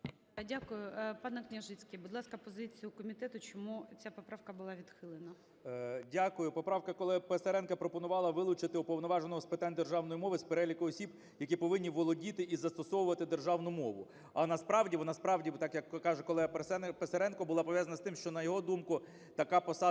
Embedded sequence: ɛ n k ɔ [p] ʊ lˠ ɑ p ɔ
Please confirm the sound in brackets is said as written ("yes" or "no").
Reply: no